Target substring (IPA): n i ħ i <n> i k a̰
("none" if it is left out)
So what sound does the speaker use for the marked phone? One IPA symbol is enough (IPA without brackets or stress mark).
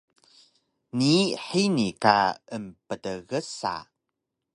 n